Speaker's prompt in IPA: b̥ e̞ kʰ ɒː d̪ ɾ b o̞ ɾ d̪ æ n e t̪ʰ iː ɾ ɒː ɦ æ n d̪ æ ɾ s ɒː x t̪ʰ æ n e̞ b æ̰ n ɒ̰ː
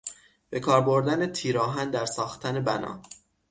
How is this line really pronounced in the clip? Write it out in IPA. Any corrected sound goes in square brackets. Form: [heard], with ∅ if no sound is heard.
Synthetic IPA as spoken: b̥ e̞ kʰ ɒː [∅] ɾ b o̞ ɾ d̪ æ n e t̪ʰ iː ɾ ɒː ɦ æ n d̪ æ ɾ s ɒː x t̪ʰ æ n e̞ b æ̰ n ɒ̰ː